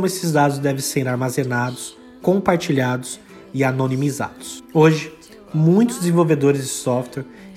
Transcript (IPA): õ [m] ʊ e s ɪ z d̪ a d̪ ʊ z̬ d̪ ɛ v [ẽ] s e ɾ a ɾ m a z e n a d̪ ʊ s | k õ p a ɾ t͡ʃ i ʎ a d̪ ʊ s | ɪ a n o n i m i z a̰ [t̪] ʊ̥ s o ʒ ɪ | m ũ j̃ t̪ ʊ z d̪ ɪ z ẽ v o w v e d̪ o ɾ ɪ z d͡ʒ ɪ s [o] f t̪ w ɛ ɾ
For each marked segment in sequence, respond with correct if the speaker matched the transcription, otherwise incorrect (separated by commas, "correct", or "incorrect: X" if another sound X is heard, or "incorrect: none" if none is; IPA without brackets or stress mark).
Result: correct, correct, incorrect: d̪, incorrect: ɔ